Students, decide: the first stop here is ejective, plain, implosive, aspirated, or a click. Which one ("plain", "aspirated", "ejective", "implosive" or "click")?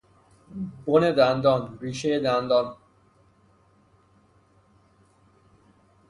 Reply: plain